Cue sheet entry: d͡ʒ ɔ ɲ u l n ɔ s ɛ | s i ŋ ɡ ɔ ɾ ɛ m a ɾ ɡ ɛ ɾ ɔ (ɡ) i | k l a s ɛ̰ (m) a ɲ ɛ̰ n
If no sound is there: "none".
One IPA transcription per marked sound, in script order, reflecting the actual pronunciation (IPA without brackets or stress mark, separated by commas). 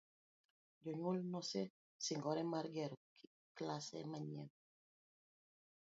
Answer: k, m